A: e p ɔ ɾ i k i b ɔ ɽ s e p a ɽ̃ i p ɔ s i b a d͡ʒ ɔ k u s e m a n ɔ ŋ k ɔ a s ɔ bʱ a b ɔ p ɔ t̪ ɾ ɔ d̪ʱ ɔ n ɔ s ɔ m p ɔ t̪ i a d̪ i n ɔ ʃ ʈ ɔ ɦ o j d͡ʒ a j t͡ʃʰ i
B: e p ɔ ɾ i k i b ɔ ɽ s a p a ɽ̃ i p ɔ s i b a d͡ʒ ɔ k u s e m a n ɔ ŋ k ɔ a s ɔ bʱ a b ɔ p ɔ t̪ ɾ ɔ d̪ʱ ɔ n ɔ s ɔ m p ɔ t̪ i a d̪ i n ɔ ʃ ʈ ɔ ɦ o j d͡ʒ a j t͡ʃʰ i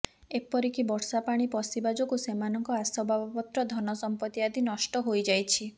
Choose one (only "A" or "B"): B